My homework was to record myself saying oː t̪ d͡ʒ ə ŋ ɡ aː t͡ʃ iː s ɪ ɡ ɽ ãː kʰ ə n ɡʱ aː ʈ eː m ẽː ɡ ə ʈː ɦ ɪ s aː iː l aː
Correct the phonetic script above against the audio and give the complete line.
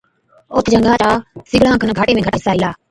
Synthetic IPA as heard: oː t̪ d͡ʒ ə ŋ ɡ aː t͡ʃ aː s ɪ ɡ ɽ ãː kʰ ə n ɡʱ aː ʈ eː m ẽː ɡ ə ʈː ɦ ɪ s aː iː l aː